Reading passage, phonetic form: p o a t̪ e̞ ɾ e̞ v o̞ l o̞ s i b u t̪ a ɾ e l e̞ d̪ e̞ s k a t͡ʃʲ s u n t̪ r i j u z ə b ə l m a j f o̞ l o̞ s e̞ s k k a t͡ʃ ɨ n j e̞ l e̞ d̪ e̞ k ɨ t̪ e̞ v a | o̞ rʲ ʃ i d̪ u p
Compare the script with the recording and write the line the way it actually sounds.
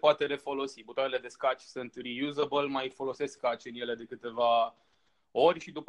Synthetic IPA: p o a t̪ e̞ ɾ e̞ f o̞ l o̞ s i b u t̪ a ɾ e l e̞ d̪ e̞ s k a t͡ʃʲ s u n t̪ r i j u z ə b ə l m a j f o̞ l o̞ s e̞ s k k a t͡ʃ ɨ n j e̞ l e̞ d̪ e̞ k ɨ t̪ e̞ v a | o̞ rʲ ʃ i d̪ u p